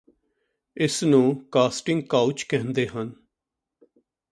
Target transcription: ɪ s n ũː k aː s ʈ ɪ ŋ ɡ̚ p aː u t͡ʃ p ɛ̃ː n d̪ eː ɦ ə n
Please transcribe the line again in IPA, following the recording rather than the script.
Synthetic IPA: ɪ s n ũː k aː s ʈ ɪ ŋ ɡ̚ k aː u t͡ʃ k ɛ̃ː n d̪ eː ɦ ə n

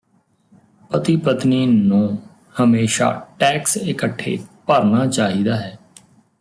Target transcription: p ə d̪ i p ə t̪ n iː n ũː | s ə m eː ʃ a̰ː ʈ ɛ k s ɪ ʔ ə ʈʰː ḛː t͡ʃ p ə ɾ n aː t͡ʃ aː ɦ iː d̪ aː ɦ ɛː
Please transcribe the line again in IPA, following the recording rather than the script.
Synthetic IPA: p ə t̪ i p ə t̪ n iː n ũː | h ə m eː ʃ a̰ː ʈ ɛː k s ɪ k ə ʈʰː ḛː p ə ɾ n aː t͡ʃ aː ɦ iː d̪ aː ɦ ɛː

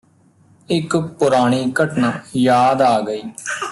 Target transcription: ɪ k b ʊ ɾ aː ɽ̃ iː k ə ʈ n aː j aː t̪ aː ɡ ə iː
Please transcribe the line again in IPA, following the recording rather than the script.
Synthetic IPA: ɪ k p ʊ ɾ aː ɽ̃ iː k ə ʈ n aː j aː d̪ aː ɡ ə iː

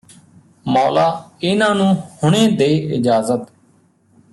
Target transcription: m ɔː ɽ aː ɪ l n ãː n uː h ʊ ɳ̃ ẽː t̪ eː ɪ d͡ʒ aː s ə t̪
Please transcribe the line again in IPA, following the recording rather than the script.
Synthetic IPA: m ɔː l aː ɪ n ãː n ũː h ʊ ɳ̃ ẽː d̪ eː ɪ d͡ʒ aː z ə t̪

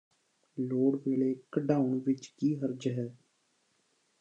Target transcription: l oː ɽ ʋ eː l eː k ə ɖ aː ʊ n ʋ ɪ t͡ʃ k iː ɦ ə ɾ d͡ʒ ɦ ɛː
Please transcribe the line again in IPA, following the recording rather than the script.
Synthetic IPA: l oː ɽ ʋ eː l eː k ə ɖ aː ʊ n ʋ ɪ t͡ʃ k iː ɦ ə ɾ d͡ʒ ɦ ɛː

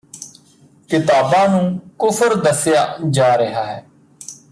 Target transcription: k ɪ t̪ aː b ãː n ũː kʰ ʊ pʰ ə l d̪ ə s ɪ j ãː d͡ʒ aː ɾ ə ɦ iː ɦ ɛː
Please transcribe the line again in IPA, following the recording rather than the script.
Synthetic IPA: k ɪ t̪ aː b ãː n ũː k ʊ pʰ ə ɾ d̪ ə s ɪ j aː d͡ʒ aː ɾ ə ɦ aː ɦ ɛː

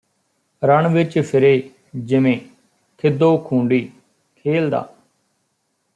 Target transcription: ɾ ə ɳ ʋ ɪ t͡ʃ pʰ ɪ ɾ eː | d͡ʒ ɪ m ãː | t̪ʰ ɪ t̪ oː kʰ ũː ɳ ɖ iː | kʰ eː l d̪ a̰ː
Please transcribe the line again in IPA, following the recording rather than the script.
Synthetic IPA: ɾ ə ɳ ʋ ɪ t͡ʃ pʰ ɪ ɾ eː | d͡ʒ ɪ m ẽː | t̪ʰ ɪ d̪ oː kʰ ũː ɳ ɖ iː | kʰ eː l d̪ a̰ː

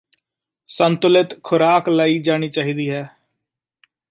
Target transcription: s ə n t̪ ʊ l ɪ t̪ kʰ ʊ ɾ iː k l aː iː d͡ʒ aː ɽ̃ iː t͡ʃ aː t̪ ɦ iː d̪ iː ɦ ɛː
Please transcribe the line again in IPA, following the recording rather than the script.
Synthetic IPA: s ə n t̪ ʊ l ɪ t̪ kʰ ʊ ɾ aː k l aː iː d͡ʒ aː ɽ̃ iː t͡ʃ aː ɦ iː d̪ iː ɦ ɛː

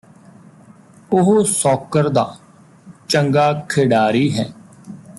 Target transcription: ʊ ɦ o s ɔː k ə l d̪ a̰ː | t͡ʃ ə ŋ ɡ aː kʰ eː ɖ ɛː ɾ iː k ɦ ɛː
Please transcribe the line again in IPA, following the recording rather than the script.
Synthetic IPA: ʊ ɦ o s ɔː k ə ɾ d̪ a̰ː | t͡ʃ ə ŋ ɡ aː kʰ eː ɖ aː ɾ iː ɦ ɛː

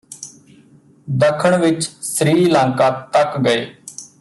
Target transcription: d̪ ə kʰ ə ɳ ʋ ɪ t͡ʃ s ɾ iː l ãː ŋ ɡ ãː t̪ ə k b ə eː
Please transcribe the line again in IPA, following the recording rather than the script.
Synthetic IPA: d̪ ə kʰ ə ɳ ʋ ɪ t͡ʃ s ɾ iː l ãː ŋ k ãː t̪ ə k ɡ ə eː

